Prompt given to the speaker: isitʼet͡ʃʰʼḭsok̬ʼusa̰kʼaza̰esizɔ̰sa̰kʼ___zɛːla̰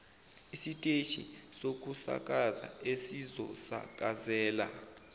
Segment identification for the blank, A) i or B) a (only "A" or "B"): B